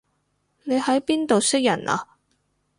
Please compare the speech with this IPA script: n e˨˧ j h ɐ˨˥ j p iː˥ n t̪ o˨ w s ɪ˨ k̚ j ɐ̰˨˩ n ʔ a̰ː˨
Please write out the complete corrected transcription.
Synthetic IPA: n e˨˧ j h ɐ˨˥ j p iː˥ n t̪ o˨ w s ɪ˥ k̚ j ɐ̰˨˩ n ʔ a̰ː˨